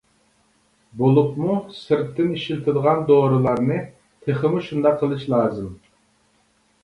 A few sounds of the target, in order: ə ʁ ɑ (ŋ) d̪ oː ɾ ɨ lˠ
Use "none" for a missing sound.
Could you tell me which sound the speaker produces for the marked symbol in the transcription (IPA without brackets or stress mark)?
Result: n